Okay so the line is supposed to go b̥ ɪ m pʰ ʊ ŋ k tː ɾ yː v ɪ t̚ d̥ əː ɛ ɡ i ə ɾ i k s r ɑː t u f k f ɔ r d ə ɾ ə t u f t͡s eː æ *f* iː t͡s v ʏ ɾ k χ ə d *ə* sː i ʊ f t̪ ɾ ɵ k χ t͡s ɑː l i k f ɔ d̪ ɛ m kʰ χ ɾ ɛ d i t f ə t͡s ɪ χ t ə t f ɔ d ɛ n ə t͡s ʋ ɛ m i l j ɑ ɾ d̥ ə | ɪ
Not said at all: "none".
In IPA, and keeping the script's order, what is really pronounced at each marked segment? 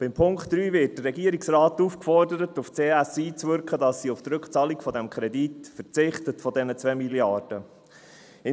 s, ɑ

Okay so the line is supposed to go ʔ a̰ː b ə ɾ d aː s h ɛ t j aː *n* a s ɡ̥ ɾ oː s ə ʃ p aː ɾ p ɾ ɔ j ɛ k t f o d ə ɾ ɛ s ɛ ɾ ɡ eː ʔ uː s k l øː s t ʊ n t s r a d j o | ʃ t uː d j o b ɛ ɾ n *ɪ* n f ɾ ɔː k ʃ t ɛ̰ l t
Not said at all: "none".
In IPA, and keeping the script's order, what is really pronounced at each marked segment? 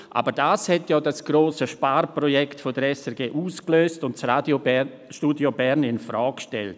d, ɪ

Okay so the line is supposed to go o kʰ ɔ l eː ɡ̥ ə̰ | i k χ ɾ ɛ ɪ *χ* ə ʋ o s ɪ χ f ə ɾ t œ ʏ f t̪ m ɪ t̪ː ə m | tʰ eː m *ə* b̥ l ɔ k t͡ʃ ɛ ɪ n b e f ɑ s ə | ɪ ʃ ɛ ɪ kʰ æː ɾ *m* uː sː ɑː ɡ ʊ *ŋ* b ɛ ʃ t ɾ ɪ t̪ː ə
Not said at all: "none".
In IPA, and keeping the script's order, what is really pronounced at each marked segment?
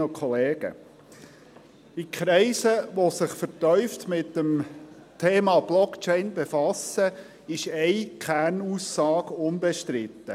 s, ɑ, n, n

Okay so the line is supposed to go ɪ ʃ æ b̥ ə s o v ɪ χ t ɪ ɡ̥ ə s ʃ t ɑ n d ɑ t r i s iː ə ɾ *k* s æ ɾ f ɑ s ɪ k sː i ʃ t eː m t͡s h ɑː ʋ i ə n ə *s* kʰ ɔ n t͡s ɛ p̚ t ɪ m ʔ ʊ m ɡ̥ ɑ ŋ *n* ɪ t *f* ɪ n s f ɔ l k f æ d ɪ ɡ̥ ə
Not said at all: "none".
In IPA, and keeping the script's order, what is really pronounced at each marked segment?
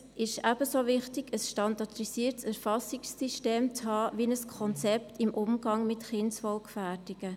t, s, m, χ

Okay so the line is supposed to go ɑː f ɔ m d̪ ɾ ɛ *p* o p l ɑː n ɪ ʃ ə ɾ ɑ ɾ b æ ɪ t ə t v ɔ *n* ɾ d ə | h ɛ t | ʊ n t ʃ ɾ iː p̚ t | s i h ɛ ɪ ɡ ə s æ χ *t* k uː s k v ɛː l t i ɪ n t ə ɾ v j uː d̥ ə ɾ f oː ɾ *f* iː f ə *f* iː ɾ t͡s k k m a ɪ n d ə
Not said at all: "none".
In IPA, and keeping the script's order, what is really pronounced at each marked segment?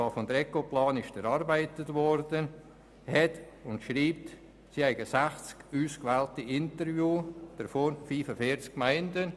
k, none, t͡s, f, f

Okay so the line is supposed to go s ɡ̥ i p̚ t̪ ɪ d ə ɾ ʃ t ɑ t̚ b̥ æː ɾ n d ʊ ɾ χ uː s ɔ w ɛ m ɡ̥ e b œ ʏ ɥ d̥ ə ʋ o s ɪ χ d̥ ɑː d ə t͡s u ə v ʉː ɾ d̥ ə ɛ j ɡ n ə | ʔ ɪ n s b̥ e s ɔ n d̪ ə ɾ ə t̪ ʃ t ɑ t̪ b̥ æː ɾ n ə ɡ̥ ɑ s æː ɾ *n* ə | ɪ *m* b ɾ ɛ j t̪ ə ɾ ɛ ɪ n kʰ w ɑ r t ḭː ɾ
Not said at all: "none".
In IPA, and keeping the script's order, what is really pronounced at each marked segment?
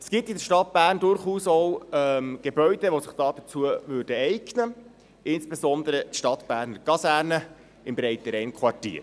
n, m

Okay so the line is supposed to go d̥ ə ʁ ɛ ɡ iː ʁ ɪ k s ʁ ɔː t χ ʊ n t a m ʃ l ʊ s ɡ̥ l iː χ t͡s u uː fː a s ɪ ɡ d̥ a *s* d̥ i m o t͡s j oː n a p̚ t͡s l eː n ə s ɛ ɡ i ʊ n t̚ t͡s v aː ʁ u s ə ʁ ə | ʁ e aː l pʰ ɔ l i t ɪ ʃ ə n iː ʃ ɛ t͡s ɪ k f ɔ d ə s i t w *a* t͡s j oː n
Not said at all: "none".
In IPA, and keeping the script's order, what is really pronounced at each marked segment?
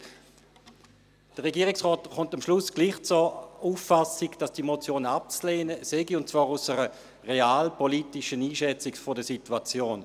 s, a

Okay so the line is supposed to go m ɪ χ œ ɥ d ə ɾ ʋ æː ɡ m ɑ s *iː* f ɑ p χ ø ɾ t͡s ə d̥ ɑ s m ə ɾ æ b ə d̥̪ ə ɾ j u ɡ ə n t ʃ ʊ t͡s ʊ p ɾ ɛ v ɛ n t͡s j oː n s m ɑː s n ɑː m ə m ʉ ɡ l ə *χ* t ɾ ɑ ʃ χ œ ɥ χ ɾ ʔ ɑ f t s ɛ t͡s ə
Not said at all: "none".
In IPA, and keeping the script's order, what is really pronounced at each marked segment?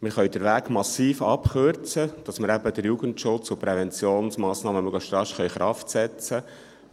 iː, ʃ

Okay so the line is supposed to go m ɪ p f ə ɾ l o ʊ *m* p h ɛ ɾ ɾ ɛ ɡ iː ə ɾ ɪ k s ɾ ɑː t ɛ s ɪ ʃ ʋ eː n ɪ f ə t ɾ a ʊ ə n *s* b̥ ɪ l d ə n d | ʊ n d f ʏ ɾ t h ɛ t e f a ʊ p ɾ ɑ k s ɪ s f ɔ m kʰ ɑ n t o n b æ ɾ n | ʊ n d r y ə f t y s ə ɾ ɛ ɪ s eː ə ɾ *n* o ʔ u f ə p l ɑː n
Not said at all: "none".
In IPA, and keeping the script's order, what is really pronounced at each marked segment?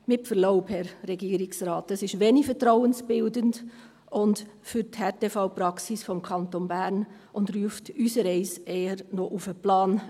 none, s, n

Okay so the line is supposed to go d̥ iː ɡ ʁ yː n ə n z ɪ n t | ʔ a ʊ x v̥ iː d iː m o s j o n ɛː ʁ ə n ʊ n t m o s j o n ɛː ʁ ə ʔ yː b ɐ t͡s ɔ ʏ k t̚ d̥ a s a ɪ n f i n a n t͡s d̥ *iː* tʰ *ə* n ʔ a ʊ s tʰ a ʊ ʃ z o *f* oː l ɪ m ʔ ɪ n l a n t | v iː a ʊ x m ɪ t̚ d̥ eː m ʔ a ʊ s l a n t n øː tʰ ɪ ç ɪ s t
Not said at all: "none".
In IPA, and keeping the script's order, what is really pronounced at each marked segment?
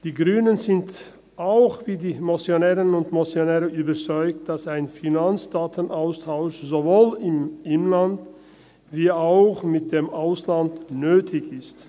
aː, ə, v

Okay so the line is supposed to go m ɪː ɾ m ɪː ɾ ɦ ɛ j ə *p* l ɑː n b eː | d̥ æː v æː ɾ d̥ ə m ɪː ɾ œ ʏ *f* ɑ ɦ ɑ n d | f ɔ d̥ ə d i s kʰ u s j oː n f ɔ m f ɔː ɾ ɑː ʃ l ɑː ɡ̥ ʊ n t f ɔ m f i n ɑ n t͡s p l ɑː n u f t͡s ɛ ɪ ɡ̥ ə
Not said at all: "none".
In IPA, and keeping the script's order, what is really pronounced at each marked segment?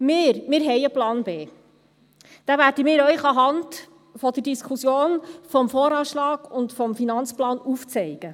p, χ

